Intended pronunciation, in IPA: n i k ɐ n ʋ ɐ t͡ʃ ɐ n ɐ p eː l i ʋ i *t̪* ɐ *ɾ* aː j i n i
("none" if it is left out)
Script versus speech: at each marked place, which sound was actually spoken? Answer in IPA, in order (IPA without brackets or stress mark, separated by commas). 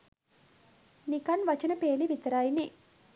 t̪, ɾ